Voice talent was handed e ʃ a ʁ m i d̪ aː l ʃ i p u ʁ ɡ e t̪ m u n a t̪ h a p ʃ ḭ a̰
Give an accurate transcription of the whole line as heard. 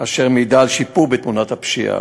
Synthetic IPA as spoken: a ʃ e ʁ m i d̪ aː l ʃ i p u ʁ b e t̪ m u n a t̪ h a p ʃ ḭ a̰